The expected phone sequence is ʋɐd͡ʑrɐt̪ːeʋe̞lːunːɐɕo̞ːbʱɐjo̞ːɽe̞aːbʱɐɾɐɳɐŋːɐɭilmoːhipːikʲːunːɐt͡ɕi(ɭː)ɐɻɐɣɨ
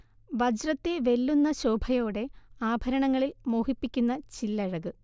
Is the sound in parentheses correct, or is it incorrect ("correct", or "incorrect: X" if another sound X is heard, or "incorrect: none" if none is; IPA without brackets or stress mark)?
incorrect: lː